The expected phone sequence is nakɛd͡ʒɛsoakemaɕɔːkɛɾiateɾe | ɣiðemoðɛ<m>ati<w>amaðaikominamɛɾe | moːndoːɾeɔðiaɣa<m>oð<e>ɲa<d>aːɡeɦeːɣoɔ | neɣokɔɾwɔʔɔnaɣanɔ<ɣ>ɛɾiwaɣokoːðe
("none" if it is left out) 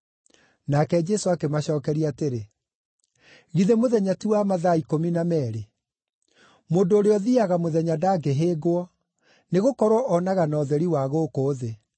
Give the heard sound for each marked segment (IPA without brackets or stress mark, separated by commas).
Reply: ɲ, w, m, ɛ, d, ð